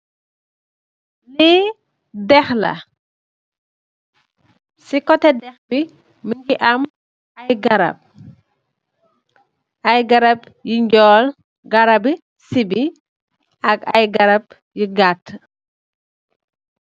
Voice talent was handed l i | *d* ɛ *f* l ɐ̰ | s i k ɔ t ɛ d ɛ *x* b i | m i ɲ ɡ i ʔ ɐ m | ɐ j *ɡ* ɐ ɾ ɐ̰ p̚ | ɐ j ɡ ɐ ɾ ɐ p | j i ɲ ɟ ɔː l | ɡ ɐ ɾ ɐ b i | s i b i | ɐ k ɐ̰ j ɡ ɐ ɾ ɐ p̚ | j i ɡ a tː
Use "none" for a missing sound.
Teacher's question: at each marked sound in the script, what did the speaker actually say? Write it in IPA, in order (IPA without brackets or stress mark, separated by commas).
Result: d, x, x, ɡ